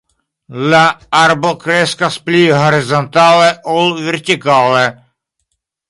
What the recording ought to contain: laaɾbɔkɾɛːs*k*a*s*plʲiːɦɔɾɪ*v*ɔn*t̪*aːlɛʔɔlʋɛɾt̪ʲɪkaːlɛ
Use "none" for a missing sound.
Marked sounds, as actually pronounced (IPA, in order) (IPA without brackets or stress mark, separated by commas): k, s, z, t̪